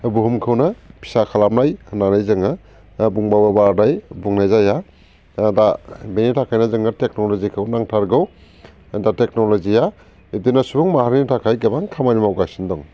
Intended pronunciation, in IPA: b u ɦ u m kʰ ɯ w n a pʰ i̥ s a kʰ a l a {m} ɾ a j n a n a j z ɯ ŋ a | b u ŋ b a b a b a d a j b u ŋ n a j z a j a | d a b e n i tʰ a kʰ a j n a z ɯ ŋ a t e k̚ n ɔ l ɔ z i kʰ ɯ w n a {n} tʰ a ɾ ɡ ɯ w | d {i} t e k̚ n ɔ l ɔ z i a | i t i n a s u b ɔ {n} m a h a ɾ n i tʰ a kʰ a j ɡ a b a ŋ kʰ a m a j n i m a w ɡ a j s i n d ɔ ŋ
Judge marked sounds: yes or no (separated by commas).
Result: yes, no, no, no